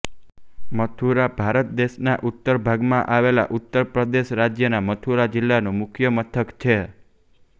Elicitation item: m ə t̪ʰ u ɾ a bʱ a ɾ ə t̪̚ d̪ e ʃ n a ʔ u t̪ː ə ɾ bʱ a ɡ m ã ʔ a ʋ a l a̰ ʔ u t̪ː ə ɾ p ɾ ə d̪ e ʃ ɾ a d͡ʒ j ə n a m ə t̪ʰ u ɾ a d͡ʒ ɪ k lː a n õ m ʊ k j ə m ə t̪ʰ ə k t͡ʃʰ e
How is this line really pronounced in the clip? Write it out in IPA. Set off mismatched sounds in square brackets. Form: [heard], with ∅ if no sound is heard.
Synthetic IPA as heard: m ə t̪ʰ u ɾ a bʱ a ɾ ə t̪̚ d̪ e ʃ n a ʔ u t̪ː ə ɾ bʱ a ɡ m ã ʔ a ʋ [e] l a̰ ʔ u t̪ː ə ɾ p ɾ ə d̪ e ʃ ɾ a d͡ʒ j ə n a m ə t̪ʰ u ɾ a d͡ʒ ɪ [∅] lː a n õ m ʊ [kʰ] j ə m ə t̪ʰ ə k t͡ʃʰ e

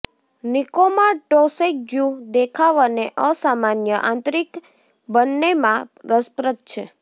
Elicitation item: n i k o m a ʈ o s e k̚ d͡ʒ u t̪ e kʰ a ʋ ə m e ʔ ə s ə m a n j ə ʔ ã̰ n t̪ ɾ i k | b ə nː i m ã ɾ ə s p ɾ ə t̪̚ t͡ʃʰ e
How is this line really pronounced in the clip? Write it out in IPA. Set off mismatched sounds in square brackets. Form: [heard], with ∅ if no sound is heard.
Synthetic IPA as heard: n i k o m a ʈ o s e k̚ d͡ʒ u [d̪] e kʰ a ʋ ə [n] e ʔ ə s [a] m a n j ə ʔ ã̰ n t̪ ɾ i k | b ə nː [e] m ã ɾ ə s p ɾ ə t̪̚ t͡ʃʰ e

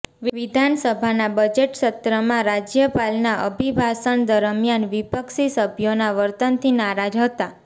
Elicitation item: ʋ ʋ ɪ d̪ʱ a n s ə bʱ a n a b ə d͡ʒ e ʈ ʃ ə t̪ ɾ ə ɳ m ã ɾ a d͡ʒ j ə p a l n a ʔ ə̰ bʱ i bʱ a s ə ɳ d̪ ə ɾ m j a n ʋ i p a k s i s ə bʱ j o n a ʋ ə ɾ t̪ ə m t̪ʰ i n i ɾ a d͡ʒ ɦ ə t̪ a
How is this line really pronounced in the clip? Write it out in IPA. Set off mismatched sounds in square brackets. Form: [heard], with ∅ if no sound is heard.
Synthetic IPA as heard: ʋ ʋ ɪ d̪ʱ a n s ə bʱ a n a b ə d͡ʒ e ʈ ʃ ə t̪ ɾ ə [∅] m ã ɾ a d͡ʒ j ə p a l n a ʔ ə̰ bʱ i bʱ a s ə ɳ d̪ ə ɾ m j a n ʋ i p [ə] k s i s ə bʱ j o n a ʋ ə ɾ t̪ ə [n] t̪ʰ i n [a] ɾ a d͡ʒ ɦ ə t̪ a

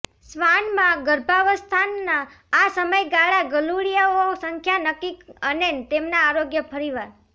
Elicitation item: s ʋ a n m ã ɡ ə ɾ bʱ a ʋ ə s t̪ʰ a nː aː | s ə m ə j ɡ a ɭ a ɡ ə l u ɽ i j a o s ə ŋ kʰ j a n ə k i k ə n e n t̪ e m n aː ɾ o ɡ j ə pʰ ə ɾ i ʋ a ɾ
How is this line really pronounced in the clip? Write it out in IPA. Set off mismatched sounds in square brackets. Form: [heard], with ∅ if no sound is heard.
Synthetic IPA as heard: s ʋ a n m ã ɡ ə ɾ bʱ a ʋ ə s t̪ʰ a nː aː | s ə m ə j ɡ a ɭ a ɡ ə l u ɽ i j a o s ə ŋ kʰ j a n ə k i k ə n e n t̪ e m n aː ɾ o ɡ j ə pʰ ə ɾ i ʋ a ɾ

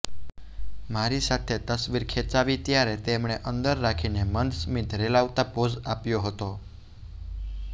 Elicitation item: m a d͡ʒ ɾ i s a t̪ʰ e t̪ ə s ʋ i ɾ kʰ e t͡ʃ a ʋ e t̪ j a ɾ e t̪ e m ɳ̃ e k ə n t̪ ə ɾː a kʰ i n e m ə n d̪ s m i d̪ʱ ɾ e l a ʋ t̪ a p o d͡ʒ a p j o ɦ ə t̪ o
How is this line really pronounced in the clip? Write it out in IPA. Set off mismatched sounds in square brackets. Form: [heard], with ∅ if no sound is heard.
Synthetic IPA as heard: m a [∅] ɾ i s a t̪ʰ e t̪ ə s ʋ i ɾ kʰ e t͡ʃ a ʋ [i] t̪ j a ɾ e t̪ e m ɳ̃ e [ʔ] ə n [d̪] ə ɾː a kʰ i n e m ə n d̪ s m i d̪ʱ ɾ e l a ʋ t̪ a p o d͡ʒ a p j o ɦ ə t̪ o

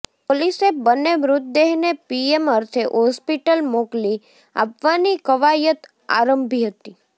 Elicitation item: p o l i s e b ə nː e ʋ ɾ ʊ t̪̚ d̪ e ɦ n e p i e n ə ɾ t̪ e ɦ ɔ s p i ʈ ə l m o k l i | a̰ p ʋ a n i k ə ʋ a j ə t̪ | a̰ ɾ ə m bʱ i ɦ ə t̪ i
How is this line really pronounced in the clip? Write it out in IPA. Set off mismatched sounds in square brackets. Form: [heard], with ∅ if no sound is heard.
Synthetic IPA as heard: p o l i s e b ə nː e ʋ ɾ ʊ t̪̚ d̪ e ɦ n e p i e [m] ə ɾ [t̪ʰ] e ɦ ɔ s p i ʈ ə l m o k l i | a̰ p ʋ a n i k ə ʋ a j ə t̪ | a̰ ɾ ə m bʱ i ɦ ə t̪ i

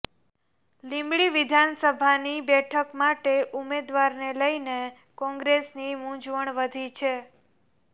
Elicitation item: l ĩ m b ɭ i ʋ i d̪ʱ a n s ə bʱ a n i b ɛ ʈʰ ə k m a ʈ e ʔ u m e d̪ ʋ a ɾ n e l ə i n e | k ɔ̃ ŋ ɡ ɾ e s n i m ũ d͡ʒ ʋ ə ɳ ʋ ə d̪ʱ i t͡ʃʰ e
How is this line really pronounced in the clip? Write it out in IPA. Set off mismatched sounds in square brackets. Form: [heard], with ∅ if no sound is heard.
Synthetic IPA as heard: l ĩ m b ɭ i ʋ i d̪ʱ a n s ə bʱ a n i b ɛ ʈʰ ə k m a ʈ e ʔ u m e d̪ ʋ a ɾ n e l ə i n e | k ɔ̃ ŋ ɡ ɾ e s n i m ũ d͡ʒ ʋ ə ɳ ʋ ə d̪ʱ i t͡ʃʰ e

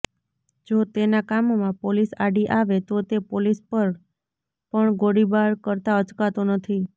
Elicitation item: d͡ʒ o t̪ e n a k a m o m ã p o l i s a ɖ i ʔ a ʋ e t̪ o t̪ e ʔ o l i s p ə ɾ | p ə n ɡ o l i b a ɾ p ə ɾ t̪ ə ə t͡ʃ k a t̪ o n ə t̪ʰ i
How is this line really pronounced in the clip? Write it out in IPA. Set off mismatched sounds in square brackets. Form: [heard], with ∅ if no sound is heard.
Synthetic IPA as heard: d͡ʒ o t̪ e n a k a m o m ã p o l i s a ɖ i ʔ a ʋ e t̪ o t̪ e [p] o l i s p ə ɾ | p ə [ɳ] ɡ o [ɽ] i b a ɾ [k] ə ɾ t̪ [a] ə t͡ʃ k a t̪ o n ə t̪ʰ i

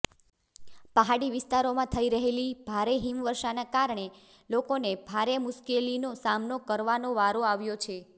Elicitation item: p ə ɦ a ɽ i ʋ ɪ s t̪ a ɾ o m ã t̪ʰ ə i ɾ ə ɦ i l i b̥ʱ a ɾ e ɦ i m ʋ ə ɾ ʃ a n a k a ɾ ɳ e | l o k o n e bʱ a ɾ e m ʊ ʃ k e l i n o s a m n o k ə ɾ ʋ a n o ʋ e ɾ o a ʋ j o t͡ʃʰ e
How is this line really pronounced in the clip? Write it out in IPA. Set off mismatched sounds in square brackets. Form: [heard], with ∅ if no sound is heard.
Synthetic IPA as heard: p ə ɦ a ɽ i ʋ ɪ s t̪ a ɾ o m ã t̪ʰ ə i ɾ ə ɦ [e] l i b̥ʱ a ɾ e ɦ i m ʋ ə ɾ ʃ a n a k a ɾ ɳ e | l o k o n e bʱ a ɾ e m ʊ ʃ k e l i n o s a m n o k ə ɾ ʋ a n o ʋ [a] ɾ o a ʋ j o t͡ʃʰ e

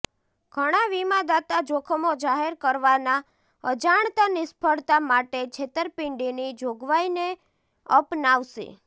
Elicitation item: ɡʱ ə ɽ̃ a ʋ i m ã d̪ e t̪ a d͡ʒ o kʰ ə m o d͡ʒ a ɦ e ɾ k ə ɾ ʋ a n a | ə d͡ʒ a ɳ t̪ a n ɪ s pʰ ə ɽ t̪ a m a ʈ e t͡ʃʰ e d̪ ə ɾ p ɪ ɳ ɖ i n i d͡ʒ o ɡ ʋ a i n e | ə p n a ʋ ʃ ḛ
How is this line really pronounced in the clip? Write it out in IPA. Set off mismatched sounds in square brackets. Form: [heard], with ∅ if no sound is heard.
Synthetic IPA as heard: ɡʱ ə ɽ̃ a ʋ i m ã d̪ [a] t̪ a d͡ʒ o kʰ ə m o d͡ʒ a ɦ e ɾ k ə ɾ ʋ a n a | ə d͡ʒ a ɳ t̪ a n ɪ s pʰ ə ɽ t̪ a m a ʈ e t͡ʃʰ e [t̪] ə ɾ p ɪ ɳ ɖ i n i d͡ʒ o ɡ ʋ a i n e | ə p n a ʋ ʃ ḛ

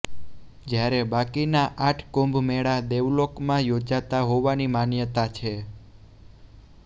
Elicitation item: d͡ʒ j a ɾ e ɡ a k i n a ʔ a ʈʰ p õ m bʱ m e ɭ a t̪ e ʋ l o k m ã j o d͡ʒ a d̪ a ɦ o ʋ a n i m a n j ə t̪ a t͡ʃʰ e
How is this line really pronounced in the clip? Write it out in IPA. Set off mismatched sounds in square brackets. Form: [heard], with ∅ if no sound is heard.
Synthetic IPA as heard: d͡ʒ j a ɾ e [b] a k i n a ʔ a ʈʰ [k] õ m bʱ m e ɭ a [d̪] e ʋ l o k m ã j o d͡ʒ a [t̪] a ɦ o ʋ a n i m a n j ə t̪ a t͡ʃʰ e

